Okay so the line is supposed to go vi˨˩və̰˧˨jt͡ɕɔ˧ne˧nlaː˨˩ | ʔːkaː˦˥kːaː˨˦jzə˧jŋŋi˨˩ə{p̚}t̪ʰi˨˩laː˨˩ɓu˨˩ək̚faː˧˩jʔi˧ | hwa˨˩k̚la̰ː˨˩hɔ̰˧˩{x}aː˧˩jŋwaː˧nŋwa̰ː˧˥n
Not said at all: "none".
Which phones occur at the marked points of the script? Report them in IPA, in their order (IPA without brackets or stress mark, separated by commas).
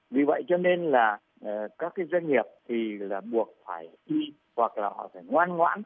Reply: p̚, f